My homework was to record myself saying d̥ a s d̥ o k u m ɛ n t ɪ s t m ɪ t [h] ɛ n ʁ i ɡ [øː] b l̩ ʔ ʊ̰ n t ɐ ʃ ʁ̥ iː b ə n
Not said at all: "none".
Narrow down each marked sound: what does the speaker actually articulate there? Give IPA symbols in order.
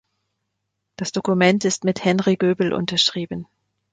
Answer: h, øː

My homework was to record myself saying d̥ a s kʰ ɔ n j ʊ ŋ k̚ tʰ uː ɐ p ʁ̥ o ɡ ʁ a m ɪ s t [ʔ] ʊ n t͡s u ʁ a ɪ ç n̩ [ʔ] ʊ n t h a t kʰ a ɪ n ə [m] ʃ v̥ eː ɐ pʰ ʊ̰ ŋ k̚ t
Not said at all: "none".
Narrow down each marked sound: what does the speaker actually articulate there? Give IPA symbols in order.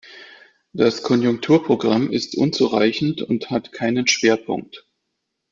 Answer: ʔ, t, n

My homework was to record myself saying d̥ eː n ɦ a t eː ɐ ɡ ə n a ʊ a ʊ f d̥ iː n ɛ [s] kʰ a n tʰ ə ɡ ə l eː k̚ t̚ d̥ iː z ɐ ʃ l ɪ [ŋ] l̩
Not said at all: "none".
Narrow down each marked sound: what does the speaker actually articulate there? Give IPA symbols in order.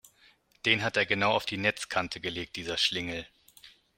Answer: t͡s, ŋ

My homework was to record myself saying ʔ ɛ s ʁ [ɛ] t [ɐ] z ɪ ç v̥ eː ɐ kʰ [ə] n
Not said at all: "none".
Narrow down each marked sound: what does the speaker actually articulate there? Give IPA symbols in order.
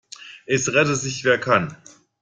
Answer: ɛ, ə, a

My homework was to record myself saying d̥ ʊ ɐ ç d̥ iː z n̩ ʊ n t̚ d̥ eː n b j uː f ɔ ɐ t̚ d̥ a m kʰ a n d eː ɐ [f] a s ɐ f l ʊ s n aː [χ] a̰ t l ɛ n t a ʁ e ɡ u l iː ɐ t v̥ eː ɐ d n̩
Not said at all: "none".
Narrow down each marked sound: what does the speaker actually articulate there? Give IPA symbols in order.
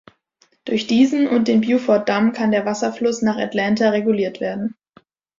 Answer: v, χ

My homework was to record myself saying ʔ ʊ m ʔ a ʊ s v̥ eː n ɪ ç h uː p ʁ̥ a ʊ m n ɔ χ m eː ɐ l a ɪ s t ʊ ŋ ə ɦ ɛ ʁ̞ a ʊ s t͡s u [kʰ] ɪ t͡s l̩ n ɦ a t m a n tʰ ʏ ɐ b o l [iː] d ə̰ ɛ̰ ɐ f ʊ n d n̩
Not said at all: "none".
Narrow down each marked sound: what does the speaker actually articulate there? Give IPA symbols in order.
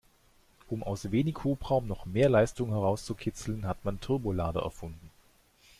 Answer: kʰ, aː

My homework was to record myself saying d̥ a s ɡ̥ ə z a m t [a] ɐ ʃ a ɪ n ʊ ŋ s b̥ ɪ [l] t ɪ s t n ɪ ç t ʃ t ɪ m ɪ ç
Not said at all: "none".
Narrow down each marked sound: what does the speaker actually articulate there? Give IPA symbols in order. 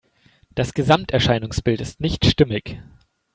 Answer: ɛ, l

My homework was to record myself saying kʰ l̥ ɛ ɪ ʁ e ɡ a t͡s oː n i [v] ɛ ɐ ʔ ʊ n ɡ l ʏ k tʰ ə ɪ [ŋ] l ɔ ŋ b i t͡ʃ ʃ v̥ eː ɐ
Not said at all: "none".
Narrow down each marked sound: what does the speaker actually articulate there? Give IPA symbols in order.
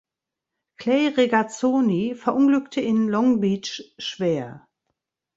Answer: f, n

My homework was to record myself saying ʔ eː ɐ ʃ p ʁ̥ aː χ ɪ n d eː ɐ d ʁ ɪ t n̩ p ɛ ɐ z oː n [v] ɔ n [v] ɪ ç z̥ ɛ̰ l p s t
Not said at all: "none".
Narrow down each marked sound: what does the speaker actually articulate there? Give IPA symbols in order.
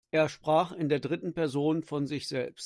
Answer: f, z

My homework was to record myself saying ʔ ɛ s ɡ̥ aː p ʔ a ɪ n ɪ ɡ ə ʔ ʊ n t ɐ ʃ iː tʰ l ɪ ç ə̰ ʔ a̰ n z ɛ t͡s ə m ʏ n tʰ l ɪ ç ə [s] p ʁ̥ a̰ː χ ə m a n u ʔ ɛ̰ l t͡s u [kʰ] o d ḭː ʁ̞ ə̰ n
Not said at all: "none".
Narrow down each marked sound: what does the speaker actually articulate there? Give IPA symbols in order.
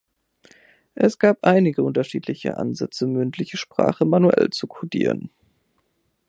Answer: ʃ, kʰ

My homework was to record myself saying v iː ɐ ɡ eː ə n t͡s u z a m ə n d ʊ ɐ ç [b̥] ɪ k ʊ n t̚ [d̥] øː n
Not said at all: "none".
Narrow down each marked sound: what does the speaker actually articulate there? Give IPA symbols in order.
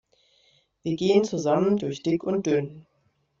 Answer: d̥, d̥

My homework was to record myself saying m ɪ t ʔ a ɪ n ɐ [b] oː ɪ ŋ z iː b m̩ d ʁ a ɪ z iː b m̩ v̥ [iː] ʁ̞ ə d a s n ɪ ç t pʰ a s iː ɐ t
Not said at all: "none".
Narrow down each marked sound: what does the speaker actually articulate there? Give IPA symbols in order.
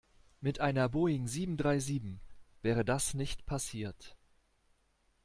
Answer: b, ɛː

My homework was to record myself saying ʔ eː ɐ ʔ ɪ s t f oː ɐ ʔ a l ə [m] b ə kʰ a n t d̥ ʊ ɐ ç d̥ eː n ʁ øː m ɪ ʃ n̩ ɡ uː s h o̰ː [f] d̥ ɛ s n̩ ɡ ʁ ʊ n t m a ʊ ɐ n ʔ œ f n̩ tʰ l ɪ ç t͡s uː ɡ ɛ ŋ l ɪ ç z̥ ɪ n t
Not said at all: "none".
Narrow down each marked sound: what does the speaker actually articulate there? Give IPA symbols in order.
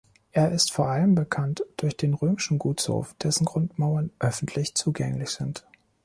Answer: m, f

